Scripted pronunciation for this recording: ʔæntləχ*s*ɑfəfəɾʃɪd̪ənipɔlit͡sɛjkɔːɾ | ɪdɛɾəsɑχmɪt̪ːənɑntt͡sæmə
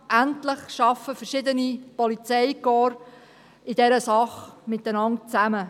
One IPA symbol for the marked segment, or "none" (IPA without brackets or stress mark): ʃ